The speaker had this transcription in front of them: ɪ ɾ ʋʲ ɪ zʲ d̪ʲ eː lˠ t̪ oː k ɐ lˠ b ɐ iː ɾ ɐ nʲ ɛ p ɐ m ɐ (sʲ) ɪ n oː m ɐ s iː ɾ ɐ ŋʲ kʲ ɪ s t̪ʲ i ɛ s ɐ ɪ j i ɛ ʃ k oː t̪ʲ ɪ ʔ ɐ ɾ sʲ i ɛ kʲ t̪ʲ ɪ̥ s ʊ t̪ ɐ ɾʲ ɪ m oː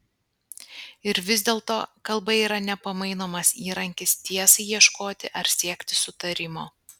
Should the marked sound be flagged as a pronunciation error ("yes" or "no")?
yes